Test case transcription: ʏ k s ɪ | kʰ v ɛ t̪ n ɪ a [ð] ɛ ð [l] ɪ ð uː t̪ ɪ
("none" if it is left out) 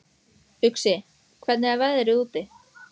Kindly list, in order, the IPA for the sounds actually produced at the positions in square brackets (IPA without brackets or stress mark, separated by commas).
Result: v, ɾ